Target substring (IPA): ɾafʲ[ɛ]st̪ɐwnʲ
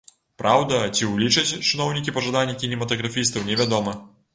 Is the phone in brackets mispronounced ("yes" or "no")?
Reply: yes